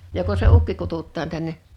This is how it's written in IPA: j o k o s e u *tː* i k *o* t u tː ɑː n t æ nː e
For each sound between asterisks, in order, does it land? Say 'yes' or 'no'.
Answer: no, no

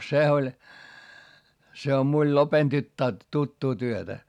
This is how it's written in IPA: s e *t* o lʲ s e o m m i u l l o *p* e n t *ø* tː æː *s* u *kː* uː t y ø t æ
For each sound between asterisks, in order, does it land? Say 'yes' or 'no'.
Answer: no, yes, no, no, no

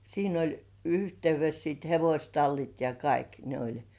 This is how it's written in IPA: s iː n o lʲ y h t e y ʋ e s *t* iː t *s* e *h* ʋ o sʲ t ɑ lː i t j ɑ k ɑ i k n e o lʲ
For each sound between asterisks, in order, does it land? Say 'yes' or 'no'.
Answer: no, no, no

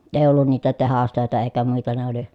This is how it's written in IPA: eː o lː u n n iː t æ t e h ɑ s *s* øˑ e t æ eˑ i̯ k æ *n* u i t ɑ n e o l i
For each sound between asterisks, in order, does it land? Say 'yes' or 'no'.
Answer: no, no

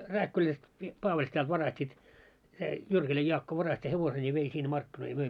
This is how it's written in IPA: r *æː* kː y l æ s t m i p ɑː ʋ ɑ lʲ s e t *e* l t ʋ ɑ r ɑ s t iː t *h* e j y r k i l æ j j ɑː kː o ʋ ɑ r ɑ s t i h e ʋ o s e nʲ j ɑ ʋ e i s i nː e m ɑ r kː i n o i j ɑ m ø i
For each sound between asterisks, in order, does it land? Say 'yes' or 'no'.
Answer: yes, no, no

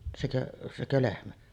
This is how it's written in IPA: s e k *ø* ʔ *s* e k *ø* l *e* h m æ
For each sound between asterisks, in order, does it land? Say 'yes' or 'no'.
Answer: yes, yes, yes, yes

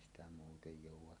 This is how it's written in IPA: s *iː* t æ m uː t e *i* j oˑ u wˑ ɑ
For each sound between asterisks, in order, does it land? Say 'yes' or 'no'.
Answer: no, no

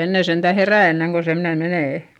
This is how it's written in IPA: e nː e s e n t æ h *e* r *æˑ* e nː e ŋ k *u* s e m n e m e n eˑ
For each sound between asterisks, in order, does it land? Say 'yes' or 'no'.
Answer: yes, yes, no

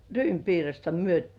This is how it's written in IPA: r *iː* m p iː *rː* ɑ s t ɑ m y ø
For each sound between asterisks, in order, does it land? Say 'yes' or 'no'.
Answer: no, no

